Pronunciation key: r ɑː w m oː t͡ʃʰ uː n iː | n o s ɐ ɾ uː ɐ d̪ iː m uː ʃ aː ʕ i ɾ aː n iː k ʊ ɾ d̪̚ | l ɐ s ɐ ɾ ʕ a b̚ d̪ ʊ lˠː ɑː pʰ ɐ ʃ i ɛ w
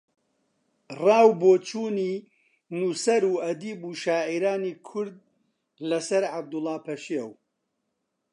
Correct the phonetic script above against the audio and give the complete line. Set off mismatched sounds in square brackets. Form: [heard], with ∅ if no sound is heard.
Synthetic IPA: r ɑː w [b] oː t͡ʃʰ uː n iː | n [u] s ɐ ɾ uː ɐ d̪ iː [b] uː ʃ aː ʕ i ɾ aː n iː [kʰ] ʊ ɾ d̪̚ | l ɐ s ɐ ɾ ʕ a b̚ d̪ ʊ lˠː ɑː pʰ ɐ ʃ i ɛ w